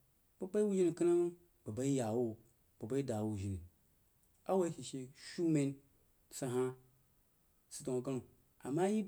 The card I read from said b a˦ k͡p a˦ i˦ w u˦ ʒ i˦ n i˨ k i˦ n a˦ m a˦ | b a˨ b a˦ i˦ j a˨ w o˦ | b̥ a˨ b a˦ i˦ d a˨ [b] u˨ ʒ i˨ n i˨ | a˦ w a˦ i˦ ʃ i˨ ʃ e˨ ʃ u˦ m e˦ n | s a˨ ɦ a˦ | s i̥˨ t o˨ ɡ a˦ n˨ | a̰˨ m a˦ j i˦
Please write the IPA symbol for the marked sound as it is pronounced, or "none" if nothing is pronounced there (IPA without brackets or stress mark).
w